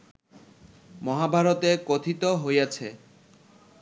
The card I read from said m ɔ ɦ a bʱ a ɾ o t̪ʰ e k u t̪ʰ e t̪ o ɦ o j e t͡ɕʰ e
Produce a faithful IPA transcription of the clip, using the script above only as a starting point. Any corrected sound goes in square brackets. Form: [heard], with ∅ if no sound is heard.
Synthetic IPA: m ɔ ɦ a bʱ a ɾ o [t̪] e k [o] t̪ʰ [i] t̪ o ɦ o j [a] t͡ɕʰ e